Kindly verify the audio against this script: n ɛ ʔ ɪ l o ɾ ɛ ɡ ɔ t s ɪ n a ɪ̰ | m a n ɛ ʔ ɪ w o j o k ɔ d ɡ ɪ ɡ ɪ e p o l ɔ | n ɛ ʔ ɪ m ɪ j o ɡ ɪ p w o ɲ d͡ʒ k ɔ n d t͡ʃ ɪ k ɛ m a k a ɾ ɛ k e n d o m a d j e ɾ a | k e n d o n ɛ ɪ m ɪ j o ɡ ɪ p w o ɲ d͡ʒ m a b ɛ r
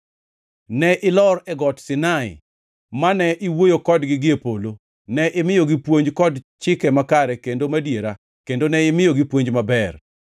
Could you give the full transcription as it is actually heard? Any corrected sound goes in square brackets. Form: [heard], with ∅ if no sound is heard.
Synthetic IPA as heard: n ɛ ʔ ɪ l [ɔ] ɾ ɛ ɡ ɔ t s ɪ n a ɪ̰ | m a n ɛ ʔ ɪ w o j o k ɔ d ɡ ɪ ɡ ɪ e p o l [o] | n ɛ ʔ ɪ m ɪ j o ɡ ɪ p w o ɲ d͡ʒ k ɔ [∅] d t͡ʃ ɪ k ɛ m a k a ɾ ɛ k e n d o m a d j e ɾ a | k e n d o n ɛ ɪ m ɪ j o ɡ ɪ p w o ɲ d͡ʒ m a b ɛ r

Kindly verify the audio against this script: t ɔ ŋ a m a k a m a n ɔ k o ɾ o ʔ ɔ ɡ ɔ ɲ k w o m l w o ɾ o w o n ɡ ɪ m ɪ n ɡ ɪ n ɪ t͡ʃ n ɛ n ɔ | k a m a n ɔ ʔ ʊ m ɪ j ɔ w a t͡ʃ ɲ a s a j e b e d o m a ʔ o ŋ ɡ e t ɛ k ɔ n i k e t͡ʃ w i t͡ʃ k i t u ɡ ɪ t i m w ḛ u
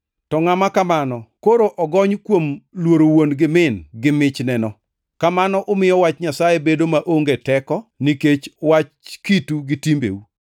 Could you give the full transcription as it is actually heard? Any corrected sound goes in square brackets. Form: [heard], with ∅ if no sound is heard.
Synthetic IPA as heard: t ɔ ŋ a m a k a m a n ɔ k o ɾ o ʔ ɔ ɡ ɔ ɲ k w o m l w o ɾ o w o n ɡ ɪ m ɪ n ɡ ɪ [m] ɪ t͡ʃ n ɛ n ɔ | k a m a n ɔ ʔ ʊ m ɪ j ɔ w a t͡ʃ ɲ a s a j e b e d o m a ʔ o ŋ ɡ e t ɛ k ɔ n i k e t͡ʃ w [a] t͡ʃ k i t u ɡ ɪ t i m [b] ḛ u

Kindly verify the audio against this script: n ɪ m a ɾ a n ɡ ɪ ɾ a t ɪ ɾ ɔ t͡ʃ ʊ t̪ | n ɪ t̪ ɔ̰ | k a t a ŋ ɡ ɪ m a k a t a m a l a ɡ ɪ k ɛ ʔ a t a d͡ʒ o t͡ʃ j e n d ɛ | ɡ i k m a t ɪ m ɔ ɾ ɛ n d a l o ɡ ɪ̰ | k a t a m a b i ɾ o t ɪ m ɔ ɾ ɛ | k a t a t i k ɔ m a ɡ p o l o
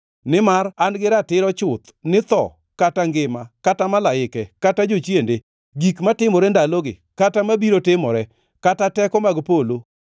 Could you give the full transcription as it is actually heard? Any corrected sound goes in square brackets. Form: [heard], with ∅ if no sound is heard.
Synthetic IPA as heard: n ɪ m a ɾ a n ɡ ɪ ɾ a t ɪ ɾ ɔ t͡ʃ ʊ t̪ | n ɪ t̪ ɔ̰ | k a t a ŋ ɡ ɪ m a k a t a m a l a [∅] ɪ k ɛ [k] a t a d͡ʒ o t͡ʃ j e n d [e] | ɡ i k m a t ɪ m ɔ ɾ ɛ n d a l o ɡ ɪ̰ | k a t a m a b i ɾ o t ɪ m ɔ ɾ ɛ | k a t a t [ɛ] k ɔ m a ɡ p o l o

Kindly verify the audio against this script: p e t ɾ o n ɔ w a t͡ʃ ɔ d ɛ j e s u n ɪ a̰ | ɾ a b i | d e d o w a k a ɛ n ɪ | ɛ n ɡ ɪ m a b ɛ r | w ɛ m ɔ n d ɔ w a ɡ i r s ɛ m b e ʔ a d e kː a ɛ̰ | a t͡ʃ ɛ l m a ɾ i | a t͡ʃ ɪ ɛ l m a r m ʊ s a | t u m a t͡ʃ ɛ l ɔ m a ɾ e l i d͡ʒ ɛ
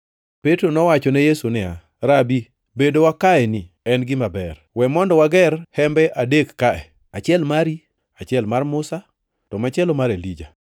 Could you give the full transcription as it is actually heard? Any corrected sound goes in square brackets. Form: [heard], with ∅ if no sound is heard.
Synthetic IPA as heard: p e t ɾ o n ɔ w a t͡ʃ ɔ [n] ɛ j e s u n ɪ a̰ | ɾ a b i | [b] e d o w a k a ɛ n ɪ | ɛ n ɡ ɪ m a b ɛ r | w ɛ m ɔ n d ɔ w a ɡ [ɛ] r [h] ɛ m b [ɛ] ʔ a d e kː a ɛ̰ | a t͡ʃ ɛ l m a ɾ i | a t͡ʃ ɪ ɛ l m a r m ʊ s a | t [ɔ] m a t͡ʃ ɛ l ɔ m a ɾ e l i d͡ʒ [a]

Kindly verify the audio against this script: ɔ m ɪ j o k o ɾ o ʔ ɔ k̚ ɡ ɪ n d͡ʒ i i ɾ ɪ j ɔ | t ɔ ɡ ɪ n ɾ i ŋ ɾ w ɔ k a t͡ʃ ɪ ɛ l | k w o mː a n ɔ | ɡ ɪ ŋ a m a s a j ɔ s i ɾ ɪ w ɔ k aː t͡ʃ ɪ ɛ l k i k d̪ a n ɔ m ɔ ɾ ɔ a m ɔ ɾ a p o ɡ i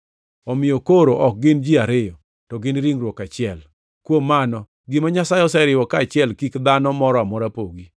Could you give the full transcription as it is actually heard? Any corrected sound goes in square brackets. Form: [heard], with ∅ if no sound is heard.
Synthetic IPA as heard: ɔ m ɪ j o k o ɾ o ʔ ɔ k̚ ɡ ɪ n d͡ʒ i [a] ɾ ɪ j ɔ | t ɔ ɡ ɪ n ɾ i ŋ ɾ w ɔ k a t͡ʃ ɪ ɛ l | k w o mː a n ɔ | ɡ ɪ [m] a [ɲ] a s a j ɔ s [ɛ] ɾ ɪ w ɔ k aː t͡ʃ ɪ ɛ l k i k d̪ a n ɔ m ɔ ɾ ɔ a m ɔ ɾ a p o ɡ i

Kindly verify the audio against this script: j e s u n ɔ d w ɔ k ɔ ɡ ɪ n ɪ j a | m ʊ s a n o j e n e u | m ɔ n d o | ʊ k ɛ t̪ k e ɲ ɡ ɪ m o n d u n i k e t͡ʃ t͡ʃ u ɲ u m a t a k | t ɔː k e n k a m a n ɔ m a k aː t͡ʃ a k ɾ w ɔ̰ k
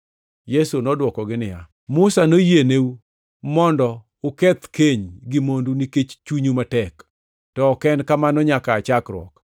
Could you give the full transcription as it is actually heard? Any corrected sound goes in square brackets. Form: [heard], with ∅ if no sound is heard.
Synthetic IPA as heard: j e s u n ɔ d w ɔ k ɔ ɡ ɪ n ɪ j a | m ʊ s a n o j e n e u | m ɔ n d [ɔ] | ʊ k ɛ t̪ k e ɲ ɡ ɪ m o n d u n i k e t͡ʃ t͡ʃ u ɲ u m a t [ɛ] k | t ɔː k [ɛ] n k a m a n ɔ [ɲ] a k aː t͡ʃ a k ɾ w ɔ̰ k

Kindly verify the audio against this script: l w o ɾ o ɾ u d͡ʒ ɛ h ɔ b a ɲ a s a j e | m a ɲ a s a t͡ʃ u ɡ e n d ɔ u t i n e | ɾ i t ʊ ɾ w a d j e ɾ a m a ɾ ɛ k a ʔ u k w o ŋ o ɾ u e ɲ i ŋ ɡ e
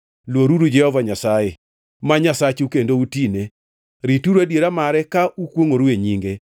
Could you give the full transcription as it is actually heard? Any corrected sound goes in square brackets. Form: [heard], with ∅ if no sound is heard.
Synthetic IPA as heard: l w o ɾ [u] ɾ u d͡ʒ ɛ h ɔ [v] a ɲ a s a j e | m a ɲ a s a t͡ʃ u [k] e n d [o] u t i n e | ɾ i t [u] ɾ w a d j e ɾ a m a ɾ ɛ k a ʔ u k w o ŋ o ɾ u e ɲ i ŋ ɡ e

